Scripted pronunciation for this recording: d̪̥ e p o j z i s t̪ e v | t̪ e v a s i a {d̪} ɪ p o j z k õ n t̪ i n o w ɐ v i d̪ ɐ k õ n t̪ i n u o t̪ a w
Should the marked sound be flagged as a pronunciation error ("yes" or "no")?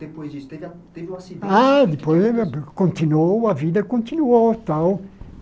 no